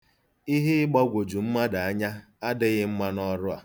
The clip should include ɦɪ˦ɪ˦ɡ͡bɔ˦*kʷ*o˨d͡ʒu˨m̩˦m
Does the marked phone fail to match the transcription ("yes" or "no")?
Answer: yes